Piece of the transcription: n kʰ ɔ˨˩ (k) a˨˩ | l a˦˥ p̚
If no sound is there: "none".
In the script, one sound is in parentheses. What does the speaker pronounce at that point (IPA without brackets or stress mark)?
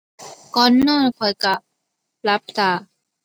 k